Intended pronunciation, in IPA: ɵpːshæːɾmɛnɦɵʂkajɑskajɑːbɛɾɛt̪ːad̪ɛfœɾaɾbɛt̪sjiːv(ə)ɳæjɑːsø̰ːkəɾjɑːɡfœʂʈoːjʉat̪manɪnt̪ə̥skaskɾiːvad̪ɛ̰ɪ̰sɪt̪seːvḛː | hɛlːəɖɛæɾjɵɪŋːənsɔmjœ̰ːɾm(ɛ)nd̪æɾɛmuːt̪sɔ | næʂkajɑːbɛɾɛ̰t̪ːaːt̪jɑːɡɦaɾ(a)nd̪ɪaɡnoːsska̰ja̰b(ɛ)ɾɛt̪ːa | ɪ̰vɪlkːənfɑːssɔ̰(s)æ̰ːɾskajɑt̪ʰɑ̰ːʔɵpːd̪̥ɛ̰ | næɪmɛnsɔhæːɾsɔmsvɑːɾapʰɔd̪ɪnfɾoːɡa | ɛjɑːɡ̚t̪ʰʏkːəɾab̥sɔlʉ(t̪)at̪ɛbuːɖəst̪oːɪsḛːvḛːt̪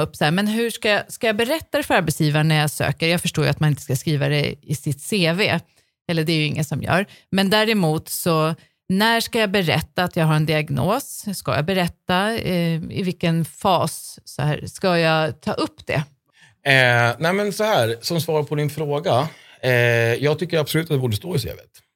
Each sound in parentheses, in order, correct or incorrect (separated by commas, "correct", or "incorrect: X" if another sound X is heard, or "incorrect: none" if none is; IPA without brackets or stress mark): incorrect: a, correct, incorrect: ɛ, correct, incorrect: h, correct